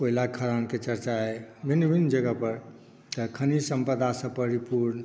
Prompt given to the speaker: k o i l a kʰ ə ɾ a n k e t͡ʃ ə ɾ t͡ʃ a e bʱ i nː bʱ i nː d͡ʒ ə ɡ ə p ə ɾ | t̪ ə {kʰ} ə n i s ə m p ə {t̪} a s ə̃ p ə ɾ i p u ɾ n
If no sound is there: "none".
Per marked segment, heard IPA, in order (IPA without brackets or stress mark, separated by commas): kʰ, d̪